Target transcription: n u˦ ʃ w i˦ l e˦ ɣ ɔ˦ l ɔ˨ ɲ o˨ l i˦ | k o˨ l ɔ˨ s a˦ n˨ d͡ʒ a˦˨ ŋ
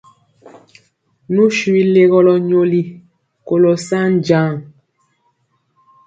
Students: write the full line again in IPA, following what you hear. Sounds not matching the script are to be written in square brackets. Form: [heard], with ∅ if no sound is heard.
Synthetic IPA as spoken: n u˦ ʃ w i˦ l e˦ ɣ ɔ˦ l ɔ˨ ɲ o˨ l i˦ | k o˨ l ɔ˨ s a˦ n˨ d͡ʒ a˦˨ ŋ